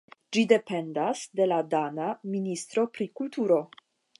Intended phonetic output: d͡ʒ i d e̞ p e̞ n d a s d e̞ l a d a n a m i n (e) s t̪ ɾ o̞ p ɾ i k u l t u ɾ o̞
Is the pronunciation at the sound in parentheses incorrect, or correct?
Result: incorrect